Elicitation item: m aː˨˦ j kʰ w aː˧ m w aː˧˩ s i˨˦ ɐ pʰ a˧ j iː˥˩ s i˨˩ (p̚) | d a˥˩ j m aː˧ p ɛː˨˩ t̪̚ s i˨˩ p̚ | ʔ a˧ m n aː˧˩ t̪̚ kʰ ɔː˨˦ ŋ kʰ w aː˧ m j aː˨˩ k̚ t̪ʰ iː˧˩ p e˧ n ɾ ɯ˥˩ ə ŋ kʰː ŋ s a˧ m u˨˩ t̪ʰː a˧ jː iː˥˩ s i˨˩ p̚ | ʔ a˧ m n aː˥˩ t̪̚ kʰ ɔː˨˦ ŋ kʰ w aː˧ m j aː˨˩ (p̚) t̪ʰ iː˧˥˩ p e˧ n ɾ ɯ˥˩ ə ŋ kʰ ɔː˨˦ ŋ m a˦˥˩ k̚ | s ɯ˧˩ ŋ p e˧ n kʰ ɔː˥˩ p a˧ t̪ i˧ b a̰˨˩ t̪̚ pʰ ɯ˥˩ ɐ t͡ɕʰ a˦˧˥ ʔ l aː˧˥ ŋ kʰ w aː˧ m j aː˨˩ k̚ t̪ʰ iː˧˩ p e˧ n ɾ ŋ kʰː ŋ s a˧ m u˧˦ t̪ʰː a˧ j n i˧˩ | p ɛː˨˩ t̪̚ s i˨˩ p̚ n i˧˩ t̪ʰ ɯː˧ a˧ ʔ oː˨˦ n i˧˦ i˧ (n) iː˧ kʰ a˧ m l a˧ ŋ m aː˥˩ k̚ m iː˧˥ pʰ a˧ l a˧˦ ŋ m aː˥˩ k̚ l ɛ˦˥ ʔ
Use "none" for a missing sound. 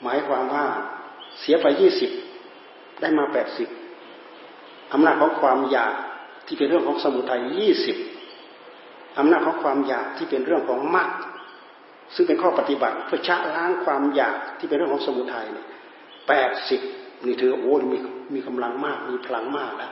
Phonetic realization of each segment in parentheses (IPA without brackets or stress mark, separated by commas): p̚, k̚, m